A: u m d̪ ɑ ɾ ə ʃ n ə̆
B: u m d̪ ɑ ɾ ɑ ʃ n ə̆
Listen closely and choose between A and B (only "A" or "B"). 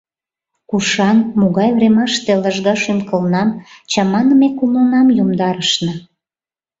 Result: A